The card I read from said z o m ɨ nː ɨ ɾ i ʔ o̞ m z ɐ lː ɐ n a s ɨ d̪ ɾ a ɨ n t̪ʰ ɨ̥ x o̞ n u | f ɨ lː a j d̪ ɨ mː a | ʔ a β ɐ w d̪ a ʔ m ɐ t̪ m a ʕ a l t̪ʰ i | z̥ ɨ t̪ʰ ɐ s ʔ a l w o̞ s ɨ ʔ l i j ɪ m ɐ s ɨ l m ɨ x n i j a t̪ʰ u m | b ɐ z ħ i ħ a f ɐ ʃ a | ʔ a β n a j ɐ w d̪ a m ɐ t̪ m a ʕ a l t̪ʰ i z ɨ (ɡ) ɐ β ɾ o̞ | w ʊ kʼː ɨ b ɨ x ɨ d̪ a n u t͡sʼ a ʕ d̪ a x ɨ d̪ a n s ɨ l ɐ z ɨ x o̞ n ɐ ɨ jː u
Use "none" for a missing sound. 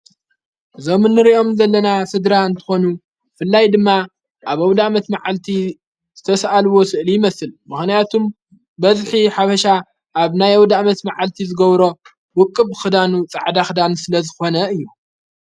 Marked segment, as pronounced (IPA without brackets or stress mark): ɡ